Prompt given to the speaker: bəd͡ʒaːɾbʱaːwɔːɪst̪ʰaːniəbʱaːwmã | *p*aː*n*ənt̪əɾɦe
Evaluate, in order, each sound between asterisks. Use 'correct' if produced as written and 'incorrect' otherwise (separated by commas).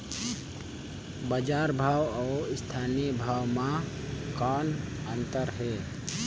incorrect, correct